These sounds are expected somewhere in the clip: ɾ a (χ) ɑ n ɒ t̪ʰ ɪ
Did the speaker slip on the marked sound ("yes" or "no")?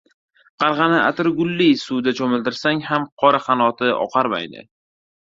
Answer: no